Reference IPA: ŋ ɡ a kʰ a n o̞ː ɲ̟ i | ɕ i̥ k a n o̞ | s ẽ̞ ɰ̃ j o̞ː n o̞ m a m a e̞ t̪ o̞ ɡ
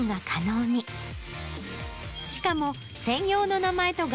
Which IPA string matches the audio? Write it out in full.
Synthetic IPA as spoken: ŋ ɡ a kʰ a n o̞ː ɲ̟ i | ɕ i̥ k a m o̞ | s ẽ̞ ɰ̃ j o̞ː n o̞ n a m a e̞ t̪ o̞ ɡ